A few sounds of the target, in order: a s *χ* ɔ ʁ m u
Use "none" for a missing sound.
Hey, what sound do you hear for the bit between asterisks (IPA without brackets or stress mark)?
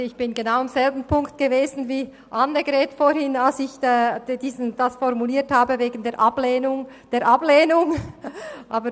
f